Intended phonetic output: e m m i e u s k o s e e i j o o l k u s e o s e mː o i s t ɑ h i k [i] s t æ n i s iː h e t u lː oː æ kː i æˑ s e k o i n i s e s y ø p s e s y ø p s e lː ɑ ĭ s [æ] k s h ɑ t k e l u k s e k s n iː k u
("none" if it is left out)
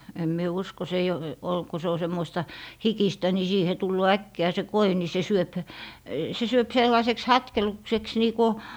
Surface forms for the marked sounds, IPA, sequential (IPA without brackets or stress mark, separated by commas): i, e